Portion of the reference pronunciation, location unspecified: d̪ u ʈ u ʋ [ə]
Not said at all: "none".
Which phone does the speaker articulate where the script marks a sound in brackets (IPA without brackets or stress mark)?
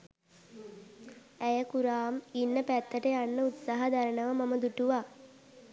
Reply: a